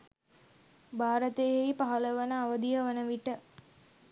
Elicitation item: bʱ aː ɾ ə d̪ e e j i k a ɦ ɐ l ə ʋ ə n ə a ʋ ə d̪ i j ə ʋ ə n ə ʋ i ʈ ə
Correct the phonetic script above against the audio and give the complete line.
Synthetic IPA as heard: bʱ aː ɾ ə t̪ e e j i p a ɦ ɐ l ə ʋ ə n ə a ʋ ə d̪ i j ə ʋ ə n ə ʋ i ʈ ə

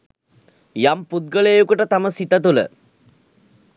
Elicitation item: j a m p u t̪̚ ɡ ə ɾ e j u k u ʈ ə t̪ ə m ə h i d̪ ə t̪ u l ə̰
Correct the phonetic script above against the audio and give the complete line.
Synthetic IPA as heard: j a m p u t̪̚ ɡ ə l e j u k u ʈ ə t̪ a m ə s i t̪ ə t̪ u l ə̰

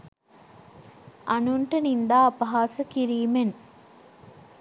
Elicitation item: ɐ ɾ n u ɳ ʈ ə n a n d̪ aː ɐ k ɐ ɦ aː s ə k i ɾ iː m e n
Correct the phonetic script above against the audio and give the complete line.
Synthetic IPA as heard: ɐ n u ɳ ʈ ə n i n d̪ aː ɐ p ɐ ɦ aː s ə k i ɾ iː m e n

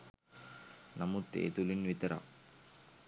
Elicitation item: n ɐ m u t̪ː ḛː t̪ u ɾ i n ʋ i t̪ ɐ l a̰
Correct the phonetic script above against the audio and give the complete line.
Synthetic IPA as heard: n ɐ m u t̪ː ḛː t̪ u l i n ʋ i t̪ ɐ ɾ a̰

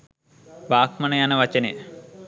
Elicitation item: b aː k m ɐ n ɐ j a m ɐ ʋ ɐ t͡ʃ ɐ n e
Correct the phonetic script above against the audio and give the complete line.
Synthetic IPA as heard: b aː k m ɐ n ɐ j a n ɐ ʋ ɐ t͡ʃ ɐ n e

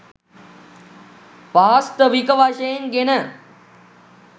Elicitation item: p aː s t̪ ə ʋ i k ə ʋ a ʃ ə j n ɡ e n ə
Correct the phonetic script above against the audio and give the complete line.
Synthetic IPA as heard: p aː s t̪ ə ʋ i k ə ʋ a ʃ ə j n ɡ e n ə

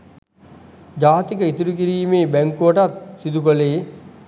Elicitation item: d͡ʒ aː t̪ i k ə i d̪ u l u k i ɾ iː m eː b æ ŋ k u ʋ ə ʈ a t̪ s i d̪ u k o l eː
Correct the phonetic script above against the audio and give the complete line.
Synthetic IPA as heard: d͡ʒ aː t̪ i k ə i t̪ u ɾ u k i ɾ iː m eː b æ ŋ k u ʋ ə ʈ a t̪ s i d̪ u k o l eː

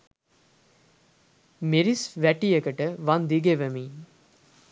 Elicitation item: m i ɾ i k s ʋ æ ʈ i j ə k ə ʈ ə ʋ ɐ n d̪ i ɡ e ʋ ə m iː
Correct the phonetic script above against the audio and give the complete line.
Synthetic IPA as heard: m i ɾ i s ʋ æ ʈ i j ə k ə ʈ ə ʋ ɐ n d̪ i ɡ e ʋ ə m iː

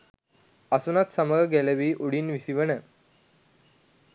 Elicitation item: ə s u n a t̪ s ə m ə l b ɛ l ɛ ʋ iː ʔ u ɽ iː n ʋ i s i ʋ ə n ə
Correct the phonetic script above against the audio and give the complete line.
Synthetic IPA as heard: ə s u n a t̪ s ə m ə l ɡ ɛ l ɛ ʋ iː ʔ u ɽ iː n ʋ i s i ʋ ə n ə

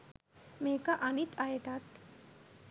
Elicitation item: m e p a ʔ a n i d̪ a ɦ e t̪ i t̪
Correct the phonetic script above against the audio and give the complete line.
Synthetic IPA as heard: m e k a ʔ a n i t̪ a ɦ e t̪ a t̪

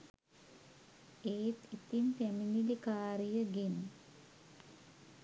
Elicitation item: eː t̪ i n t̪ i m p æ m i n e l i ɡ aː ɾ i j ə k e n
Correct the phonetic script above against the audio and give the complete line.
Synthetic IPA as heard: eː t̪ i t̪ i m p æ m i n i l i k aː ɾ i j ə ɡ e n

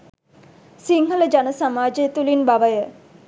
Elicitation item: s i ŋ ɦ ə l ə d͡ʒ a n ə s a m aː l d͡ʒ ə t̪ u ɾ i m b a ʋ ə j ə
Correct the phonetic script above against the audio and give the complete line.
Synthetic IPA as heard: s i ŋ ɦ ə l ə d͡ʒ a n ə s a m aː d͡ʒ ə t̪ u l i n b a ʋ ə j ə

